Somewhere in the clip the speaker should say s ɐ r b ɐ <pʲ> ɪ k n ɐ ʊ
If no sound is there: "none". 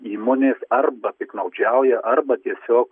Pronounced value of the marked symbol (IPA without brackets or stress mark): pʲ